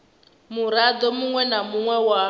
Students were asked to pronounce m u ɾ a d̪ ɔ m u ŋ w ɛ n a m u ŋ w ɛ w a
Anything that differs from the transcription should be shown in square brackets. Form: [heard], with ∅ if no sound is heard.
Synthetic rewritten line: m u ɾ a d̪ ɔ m u ŋ w ɛ n a m u ŋ w ɛ w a